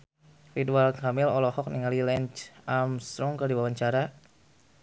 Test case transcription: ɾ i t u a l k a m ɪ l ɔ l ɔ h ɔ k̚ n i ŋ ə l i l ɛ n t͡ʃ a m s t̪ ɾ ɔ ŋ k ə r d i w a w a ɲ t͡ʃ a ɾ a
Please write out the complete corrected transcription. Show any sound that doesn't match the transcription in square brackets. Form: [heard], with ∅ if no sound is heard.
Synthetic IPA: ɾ i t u a l k a m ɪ l ɔ l ɔ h ɔ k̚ n i ŋ [a] l i l ɛ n t͡ʃ a m s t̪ ɾ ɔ ŋ k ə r d i w a w a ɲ t͡ʃ a ɾ a